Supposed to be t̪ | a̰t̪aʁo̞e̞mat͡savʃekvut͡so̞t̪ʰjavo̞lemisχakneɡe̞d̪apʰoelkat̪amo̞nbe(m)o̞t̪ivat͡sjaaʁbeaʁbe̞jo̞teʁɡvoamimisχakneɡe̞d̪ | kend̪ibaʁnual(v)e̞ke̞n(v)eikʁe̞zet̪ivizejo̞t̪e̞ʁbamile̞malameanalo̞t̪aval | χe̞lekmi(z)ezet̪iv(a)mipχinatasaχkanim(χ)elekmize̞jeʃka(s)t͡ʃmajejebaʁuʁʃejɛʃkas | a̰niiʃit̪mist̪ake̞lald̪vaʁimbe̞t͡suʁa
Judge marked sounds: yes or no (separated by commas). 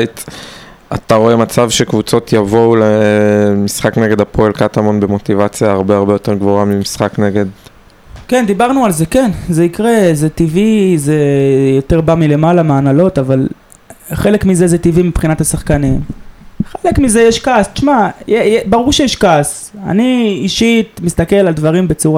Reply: yes, no, no, yes, no, yes, yes